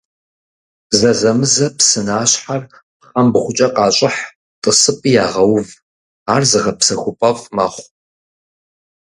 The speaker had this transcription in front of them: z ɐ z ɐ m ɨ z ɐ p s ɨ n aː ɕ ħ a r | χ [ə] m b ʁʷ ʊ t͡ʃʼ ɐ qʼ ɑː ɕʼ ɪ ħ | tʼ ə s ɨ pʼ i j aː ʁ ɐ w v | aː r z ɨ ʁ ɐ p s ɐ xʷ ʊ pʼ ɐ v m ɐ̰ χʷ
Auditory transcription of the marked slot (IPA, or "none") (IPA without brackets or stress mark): ɐ